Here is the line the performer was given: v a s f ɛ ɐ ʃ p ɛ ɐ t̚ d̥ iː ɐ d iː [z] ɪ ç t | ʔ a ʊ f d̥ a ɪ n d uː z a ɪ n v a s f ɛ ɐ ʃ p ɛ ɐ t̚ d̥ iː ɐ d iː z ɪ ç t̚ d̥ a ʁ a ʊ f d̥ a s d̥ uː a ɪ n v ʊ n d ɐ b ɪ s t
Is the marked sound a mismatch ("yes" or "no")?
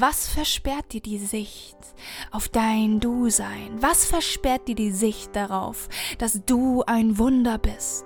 no